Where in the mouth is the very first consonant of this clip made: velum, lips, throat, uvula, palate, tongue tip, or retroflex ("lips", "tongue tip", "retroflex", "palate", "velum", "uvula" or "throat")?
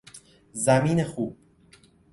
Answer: tongue tip